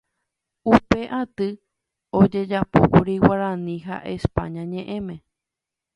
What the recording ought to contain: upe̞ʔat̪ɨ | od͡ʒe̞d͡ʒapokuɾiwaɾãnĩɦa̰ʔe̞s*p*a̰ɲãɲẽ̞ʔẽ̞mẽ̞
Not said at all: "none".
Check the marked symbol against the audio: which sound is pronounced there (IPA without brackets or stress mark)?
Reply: p